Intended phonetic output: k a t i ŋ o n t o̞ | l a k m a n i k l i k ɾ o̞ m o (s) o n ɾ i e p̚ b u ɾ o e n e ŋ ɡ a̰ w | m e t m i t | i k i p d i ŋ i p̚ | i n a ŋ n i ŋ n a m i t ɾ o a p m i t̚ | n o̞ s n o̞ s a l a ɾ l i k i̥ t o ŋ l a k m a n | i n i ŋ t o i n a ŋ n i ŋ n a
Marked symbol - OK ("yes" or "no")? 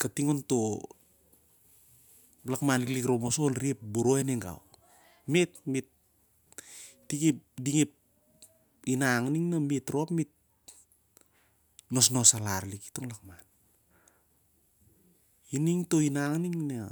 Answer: yes